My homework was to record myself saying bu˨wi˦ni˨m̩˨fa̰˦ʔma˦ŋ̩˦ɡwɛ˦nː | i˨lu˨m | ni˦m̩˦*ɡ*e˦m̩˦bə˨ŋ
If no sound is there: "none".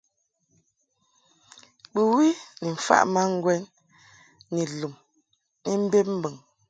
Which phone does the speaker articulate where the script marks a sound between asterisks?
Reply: b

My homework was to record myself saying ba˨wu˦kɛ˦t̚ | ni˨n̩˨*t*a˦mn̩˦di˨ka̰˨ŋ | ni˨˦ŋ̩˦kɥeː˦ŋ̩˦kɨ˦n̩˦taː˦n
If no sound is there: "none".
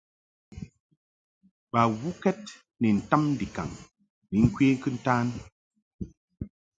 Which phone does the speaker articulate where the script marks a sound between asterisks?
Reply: t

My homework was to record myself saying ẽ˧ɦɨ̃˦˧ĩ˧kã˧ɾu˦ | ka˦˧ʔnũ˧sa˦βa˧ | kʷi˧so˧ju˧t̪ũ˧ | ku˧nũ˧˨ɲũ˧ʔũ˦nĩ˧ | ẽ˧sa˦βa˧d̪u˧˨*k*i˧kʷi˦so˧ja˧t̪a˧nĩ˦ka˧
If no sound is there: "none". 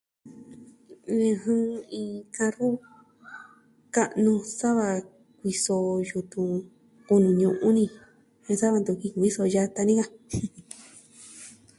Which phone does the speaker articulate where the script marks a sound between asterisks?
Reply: k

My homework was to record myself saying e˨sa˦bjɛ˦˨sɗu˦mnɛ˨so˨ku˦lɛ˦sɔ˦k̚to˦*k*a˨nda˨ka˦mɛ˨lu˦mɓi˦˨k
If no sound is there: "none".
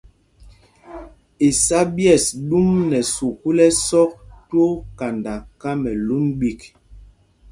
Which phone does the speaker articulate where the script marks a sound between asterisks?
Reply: k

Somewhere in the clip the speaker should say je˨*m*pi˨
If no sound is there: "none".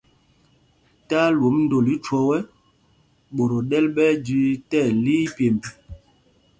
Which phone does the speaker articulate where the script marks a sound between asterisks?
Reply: m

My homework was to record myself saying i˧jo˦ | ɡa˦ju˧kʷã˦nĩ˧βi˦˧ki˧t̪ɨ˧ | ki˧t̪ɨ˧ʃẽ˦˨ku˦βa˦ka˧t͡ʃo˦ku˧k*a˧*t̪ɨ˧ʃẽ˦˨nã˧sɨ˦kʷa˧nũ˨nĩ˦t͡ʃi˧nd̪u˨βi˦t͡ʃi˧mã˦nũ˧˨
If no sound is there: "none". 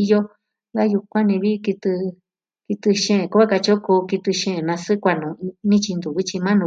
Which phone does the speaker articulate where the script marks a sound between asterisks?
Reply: i˧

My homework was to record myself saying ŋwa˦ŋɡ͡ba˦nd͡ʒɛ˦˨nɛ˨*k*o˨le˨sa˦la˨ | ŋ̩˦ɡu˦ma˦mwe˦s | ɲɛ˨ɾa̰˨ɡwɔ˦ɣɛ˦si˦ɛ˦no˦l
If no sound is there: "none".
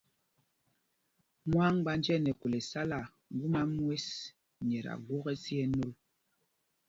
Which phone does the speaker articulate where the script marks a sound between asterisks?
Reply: k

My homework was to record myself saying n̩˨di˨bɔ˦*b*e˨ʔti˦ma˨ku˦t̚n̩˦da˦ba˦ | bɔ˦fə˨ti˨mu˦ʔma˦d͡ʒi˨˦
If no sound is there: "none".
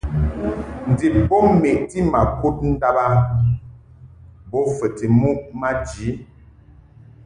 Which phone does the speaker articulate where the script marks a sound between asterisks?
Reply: m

